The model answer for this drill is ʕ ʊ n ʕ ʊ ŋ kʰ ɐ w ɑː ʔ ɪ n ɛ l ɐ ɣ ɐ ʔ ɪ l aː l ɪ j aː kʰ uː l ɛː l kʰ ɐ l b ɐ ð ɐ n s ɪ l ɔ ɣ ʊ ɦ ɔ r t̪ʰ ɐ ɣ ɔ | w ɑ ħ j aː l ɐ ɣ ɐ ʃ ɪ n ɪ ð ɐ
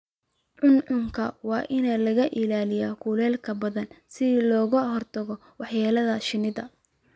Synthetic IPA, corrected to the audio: ʕ ʊ n ʕ ʊ ŋ kʰ ɐ w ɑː ʔ ɪ n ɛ l ɐ ɣ ɐ ʔ ɪ l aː l ɪ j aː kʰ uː l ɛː l kʰ ɐ b ɐ ð ɐ n s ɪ l ɔː ɣ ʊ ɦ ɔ r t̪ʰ ɐ ɣ ɔ | w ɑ ħ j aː l ɐ ð ɐ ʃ ɪ n ɪ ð ɐ